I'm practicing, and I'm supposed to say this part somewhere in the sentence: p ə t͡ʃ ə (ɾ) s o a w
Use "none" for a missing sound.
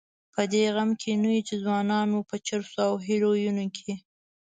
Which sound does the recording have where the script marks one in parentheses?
ɾ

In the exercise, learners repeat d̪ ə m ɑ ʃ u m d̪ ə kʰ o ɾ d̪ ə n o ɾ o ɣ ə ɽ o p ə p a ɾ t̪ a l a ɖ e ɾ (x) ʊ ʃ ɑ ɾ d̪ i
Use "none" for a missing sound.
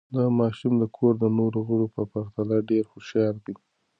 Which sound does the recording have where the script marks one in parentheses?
x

